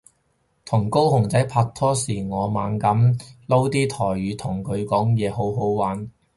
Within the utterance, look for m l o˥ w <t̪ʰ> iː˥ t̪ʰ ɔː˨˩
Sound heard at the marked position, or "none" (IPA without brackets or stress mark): t̪